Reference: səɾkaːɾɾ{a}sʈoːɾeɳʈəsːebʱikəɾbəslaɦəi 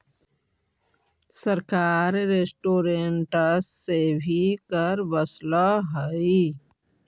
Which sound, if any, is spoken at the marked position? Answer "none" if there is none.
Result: e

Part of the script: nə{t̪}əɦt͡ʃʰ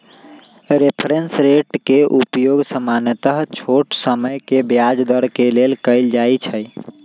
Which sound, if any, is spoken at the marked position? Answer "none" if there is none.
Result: t̪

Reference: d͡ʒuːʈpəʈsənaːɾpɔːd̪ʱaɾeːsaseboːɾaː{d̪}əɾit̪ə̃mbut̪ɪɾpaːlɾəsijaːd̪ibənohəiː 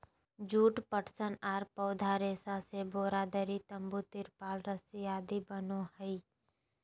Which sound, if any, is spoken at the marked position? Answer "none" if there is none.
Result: d̪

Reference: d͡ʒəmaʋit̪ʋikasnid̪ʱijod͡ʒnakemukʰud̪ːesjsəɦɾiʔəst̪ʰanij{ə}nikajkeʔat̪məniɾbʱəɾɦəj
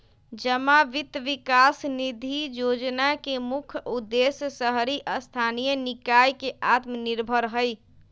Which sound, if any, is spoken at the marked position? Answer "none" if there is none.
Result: ə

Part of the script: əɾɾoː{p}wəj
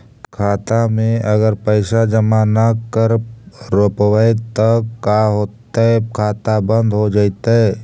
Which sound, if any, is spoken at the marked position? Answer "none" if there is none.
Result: p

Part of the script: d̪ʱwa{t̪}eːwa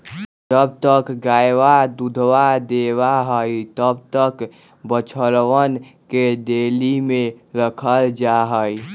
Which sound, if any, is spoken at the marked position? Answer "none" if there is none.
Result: d̪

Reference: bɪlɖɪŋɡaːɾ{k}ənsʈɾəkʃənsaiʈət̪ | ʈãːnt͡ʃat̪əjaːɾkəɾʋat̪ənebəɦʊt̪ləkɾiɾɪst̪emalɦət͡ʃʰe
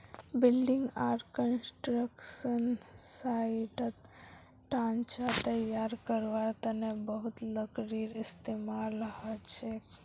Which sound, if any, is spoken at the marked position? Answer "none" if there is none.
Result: k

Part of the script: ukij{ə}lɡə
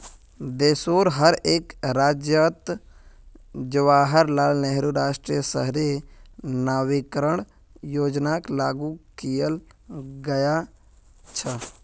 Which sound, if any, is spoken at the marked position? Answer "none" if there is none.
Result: ə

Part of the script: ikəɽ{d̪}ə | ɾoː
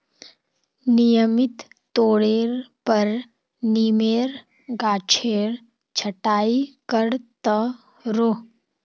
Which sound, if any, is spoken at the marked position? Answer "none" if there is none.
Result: t̪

